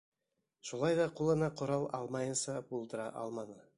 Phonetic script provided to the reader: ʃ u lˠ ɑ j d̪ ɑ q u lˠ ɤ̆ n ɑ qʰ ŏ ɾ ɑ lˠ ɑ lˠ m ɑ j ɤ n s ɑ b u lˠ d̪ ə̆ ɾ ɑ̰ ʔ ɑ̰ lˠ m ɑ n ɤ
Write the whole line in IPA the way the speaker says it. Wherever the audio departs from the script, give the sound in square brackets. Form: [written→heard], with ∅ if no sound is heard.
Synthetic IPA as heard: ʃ u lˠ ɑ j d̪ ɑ q u lˠ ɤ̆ n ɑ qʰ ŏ ɾ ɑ lˠ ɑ lˠ m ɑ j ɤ n s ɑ b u lˠ d̪ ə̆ ɾ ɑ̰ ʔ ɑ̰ lˠ m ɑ n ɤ